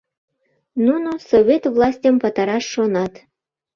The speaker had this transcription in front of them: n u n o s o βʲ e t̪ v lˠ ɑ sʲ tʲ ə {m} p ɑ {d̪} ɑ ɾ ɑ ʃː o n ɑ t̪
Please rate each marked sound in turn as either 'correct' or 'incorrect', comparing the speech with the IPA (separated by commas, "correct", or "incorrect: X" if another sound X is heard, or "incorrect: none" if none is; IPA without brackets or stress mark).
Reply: correct, incorrect: t̪